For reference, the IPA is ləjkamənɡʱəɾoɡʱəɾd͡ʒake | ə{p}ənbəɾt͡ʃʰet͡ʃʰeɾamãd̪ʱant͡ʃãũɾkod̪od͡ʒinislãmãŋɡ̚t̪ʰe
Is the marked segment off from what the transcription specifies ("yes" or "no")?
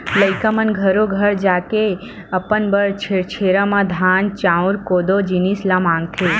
no